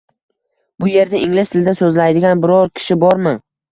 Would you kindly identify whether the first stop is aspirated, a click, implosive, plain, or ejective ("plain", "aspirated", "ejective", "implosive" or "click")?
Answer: plain